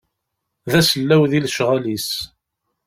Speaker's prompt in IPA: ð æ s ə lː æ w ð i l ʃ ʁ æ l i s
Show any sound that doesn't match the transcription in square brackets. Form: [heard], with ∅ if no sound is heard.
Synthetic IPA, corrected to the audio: ð æ s ə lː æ w ð i l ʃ ʁ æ l i s